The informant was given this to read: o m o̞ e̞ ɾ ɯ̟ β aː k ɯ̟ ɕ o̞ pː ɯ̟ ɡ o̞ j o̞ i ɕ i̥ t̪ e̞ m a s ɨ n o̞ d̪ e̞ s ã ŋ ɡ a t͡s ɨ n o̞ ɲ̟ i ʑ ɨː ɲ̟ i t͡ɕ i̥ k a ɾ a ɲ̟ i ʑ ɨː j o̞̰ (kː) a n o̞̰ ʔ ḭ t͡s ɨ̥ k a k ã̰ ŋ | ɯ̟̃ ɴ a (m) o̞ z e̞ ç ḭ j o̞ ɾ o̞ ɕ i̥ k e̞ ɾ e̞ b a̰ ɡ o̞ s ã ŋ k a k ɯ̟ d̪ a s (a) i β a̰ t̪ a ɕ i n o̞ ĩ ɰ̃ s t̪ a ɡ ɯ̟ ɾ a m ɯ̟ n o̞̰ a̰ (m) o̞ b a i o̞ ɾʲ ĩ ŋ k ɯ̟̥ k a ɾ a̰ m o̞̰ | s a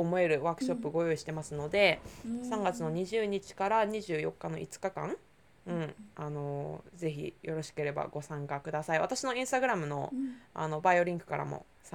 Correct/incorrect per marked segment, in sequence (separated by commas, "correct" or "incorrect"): correct, incorrect, correct, incorrect